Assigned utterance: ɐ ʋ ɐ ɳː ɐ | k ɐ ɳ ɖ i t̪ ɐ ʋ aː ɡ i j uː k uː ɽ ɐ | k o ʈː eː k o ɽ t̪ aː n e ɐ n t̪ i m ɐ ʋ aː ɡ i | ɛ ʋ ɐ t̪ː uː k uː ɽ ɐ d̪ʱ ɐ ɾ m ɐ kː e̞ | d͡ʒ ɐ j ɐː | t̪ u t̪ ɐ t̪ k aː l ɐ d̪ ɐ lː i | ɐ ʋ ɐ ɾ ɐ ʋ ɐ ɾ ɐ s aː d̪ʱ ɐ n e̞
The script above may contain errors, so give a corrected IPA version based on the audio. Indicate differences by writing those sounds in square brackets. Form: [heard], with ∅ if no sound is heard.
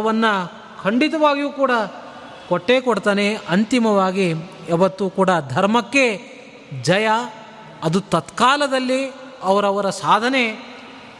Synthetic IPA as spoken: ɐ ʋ ɐ [nː] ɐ | [kʰ] ɐ ɳ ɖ i t̪ ɐ ʋ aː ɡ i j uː k uː ɽ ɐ | k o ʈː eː k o ɽ t̪ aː n e ɐ n t̪ i m ɐ ʋ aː ɡ i | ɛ ʋ ɐ t̪ː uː k uː ɽ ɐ d̪ʱ ɐ ɾ m ɐ kː e̞ | d͡ʒ ɐ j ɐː | [d̪] u t̪ ɐ t̪ k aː l ɐ d̪ ɐ lː i | ɐ ʋ ɐ ɾ ɐ ʋ ɐ ɾ ɐ s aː d̪ʱ ɐ n e̞